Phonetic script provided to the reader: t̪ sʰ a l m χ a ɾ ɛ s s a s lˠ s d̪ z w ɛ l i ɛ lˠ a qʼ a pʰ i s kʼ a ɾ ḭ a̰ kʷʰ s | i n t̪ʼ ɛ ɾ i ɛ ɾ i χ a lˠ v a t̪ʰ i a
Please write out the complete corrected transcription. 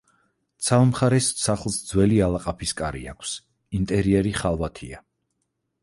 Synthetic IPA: t̪ sʰ a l m χ a ɾ ɛ s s a χ lˠ s d̪ z w ɛ l i a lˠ a qʼ a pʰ i s kʼ a ɾ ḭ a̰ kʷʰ s | i n t̪ʼ ɛ ɾ i ɛ ɾ i χ a lˠ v a t̪ʰ i a